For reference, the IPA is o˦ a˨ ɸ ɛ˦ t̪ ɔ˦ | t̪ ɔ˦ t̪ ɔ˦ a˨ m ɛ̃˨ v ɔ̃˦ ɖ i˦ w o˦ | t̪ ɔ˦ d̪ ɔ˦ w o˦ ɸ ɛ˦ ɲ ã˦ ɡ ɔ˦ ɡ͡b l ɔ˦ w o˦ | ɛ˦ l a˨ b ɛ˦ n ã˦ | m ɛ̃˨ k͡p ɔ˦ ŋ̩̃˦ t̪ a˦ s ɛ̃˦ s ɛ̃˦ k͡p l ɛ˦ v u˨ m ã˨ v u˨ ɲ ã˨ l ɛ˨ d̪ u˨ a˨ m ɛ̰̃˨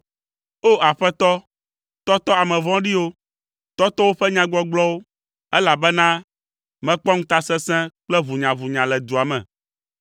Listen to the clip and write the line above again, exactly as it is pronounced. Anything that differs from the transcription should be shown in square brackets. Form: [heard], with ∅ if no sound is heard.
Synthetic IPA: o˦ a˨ ɸ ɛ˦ t̪ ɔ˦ | t̪ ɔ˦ t̪ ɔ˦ a˨ m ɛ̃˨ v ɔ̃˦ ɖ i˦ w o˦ | t̪ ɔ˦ [t̪] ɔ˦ w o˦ ɸ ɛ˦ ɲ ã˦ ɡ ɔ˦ ɡ͡b l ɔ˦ w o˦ | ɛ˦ l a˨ b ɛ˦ n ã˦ | m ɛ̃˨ k͡p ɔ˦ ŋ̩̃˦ t̪ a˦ s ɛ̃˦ s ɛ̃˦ k͡p l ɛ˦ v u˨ [ɲ] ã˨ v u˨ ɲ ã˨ l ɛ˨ d̪ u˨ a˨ m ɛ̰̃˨